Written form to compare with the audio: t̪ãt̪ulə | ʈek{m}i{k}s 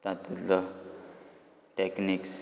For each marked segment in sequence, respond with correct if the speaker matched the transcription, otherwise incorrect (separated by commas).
incorrect, correct